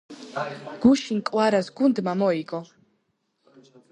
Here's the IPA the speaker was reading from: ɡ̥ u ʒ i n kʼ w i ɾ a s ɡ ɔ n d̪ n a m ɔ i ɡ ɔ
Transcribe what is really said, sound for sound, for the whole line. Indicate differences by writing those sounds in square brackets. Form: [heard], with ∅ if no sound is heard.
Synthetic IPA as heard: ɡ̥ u [ʃ] i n kʼ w [a] ɾ a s ɡ [u] n d̪ [m] a m ɔ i ɡ ɔ